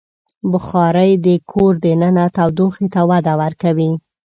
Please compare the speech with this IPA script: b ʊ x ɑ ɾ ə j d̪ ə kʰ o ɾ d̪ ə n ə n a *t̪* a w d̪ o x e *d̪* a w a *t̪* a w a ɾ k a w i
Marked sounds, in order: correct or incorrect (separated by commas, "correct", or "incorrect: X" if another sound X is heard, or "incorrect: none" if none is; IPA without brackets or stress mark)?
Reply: correct, incorrect: t̪, incorrect: d̪